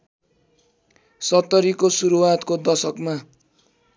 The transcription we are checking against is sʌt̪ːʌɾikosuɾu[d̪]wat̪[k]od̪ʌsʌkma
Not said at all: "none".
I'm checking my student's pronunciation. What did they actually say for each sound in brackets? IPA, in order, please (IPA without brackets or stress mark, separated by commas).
none, k